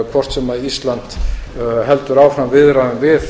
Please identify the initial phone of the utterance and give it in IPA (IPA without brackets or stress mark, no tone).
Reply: kʰ